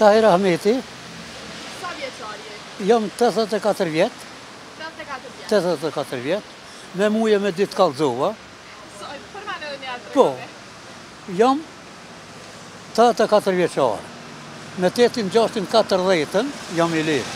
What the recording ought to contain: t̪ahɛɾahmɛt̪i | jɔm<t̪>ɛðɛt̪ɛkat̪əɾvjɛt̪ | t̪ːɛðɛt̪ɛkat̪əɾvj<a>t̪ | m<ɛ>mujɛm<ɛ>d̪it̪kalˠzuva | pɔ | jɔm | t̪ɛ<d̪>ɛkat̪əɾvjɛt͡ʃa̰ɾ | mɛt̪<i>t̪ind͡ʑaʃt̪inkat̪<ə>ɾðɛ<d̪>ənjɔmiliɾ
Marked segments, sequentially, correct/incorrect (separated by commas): correct, incorrect, correct, correct, incorrect, incorrect, correct, incorrect